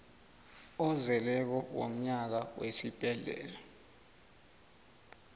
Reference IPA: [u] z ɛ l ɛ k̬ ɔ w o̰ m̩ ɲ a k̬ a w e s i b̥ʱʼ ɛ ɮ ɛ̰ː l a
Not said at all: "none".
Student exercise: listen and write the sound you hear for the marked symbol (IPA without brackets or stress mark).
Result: ɔ